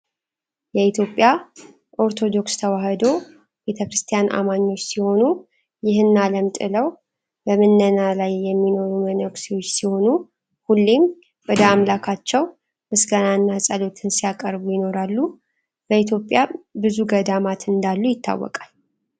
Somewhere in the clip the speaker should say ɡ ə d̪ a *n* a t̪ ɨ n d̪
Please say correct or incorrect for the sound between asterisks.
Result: incorrect